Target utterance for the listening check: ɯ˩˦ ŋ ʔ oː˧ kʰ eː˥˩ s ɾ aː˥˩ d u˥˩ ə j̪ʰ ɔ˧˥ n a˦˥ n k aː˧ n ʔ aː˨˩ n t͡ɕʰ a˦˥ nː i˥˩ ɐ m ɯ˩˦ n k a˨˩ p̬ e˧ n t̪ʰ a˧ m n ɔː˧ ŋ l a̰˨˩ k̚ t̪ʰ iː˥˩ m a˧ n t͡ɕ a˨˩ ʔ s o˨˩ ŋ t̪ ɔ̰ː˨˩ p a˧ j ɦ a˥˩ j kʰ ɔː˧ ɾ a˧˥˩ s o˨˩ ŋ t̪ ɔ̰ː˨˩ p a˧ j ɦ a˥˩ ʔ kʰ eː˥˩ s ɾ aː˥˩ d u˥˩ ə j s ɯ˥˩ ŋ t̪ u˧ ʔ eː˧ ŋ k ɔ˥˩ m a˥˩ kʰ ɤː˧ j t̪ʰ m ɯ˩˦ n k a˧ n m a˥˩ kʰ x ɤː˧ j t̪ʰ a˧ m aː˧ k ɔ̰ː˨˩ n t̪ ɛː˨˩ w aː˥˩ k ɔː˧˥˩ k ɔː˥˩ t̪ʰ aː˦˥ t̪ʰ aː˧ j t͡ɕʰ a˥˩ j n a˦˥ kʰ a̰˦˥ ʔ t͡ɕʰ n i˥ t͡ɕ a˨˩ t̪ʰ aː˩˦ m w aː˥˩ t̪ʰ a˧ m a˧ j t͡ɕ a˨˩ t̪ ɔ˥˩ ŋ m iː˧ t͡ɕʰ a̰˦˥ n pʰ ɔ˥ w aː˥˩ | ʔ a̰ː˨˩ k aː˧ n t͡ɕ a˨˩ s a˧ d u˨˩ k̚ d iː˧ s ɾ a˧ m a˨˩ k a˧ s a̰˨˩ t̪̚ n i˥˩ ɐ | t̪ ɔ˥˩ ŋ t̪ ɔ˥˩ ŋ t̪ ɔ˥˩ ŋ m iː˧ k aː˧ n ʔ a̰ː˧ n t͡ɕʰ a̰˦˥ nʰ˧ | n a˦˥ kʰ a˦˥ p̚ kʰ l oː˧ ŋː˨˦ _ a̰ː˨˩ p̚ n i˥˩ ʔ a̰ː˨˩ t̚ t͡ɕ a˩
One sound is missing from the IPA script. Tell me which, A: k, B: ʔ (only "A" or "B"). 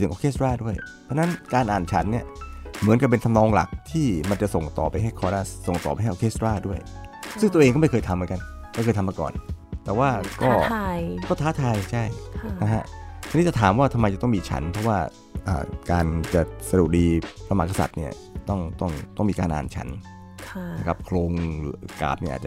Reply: A